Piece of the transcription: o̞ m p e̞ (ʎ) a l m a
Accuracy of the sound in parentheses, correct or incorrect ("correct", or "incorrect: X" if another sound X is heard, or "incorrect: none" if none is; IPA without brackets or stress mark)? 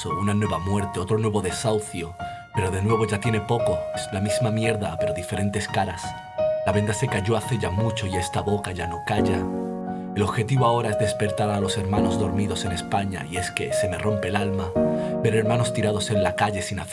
incorrect: l